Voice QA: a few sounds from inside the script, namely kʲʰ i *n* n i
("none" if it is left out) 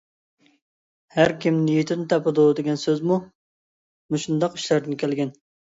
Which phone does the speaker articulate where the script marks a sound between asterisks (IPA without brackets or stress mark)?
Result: m